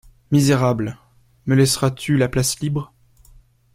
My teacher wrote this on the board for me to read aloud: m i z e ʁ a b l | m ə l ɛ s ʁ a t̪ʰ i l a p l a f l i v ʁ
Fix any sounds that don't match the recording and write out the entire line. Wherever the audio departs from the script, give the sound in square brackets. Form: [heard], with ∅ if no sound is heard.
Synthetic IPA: m i z e ʁ a b l | m ə l ɛ s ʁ a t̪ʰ [y] l a p l a [s] l i [b] ʁ